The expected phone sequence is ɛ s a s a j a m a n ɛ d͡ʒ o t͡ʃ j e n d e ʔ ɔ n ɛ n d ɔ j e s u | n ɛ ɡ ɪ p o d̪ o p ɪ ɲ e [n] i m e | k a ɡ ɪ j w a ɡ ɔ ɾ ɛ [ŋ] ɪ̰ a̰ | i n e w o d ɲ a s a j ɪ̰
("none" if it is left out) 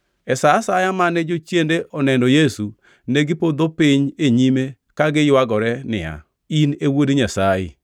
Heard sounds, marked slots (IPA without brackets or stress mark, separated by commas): ɲ, n